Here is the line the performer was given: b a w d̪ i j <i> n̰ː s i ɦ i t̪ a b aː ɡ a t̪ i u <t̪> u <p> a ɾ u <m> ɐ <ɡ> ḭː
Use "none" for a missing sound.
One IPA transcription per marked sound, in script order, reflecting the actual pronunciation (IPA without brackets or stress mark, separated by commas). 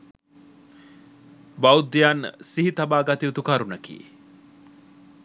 a, t̪, k, n, k